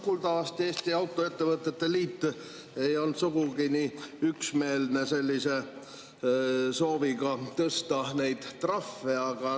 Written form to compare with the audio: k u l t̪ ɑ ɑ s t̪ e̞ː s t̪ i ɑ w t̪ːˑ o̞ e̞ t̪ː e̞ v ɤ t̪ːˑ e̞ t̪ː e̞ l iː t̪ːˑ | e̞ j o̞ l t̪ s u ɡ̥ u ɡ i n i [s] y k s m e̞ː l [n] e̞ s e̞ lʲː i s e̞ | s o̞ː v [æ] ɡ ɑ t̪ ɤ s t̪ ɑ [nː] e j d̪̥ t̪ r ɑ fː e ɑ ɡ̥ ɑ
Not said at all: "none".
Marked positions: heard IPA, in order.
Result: none, n, i, n

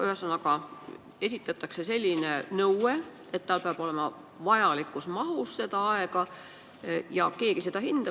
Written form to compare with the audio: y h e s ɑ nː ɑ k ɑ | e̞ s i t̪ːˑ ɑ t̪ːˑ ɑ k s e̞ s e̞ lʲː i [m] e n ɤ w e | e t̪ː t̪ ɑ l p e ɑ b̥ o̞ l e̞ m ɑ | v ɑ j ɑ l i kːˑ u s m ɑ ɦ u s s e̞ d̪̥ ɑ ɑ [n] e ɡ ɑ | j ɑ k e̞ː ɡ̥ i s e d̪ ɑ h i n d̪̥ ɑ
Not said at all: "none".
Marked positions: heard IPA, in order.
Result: n, none

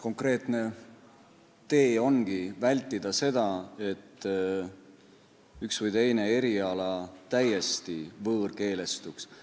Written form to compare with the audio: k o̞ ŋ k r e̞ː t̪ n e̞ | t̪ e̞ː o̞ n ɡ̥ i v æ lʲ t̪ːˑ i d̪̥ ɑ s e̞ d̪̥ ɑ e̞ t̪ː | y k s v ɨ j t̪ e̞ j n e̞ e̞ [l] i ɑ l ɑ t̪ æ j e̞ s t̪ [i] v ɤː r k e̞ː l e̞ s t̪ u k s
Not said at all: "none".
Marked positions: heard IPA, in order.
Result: ɾ, i

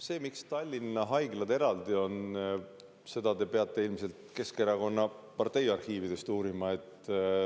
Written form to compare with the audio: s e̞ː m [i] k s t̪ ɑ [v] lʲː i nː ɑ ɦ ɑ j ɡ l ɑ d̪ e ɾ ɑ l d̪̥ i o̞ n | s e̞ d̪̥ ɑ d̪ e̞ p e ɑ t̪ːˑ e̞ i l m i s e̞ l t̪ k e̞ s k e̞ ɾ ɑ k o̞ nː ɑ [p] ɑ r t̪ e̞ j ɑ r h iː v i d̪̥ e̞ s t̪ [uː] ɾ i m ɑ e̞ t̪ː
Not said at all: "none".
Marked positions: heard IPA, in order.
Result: i, none, p, uː

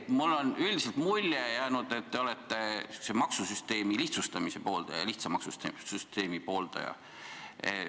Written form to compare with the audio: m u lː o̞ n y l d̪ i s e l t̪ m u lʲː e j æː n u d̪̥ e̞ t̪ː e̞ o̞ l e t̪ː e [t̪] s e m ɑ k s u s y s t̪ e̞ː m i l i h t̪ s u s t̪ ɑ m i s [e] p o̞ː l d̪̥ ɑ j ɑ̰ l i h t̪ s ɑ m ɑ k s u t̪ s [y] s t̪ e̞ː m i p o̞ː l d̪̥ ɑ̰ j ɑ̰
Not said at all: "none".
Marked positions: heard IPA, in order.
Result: none, e, y

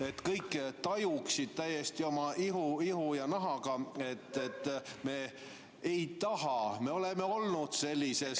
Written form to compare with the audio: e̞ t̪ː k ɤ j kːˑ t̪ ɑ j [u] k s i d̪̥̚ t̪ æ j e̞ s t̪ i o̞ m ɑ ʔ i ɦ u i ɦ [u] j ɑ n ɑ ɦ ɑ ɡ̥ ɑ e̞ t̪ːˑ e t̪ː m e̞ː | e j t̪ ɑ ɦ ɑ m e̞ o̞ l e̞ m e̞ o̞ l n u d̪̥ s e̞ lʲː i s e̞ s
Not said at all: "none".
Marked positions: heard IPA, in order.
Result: u, u

